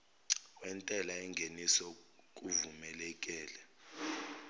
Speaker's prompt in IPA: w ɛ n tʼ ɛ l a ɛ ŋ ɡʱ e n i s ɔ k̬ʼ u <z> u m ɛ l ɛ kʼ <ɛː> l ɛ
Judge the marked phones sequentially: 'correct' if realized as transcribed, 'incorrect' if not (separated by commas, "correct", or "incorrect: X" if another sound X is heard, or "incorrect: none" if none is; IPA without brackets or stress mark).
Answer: incorrect: v, correct